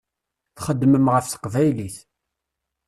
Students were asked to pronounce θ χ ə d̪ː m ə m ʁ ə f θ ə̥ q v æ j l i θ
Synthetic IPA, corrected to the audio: θ χ ə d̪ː m ə m ʁ ə f θ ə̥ q v æ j l i θ